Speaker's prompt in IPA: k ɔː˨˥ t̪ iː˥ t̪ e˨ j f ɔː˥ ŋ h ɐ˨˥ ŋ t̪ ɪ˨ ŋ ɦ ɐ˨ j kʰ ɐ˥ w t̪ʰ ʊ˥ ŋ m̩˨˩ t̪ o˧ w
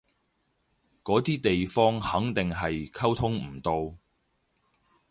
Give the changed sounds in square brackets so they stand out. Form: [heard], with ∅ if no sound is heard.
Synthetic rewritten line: k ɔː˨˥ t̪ iː˥ t̪ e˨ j f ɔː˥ ŋ h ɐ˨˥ ŋ t̪ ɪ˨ ŋ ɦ ɐ˨ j kʰ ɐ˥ w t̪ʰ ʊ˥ ŋ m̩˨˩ t̪ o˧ w